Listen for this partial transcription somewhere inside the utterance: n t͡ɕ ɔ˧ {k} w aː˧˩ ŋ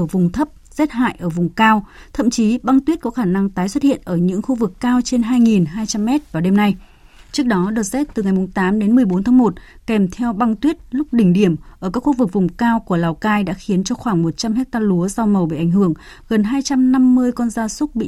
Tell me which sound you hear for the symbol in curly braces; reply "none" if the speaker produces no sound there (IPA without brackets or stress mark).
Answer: x